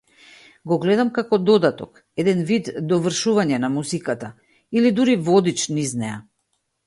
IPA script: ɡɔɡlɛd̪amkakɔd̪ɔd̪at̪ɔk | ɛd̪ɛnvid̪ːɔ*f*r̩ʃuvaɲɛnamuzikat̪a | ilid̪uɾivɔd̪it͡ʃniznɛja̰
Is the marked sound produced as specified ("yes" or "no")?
no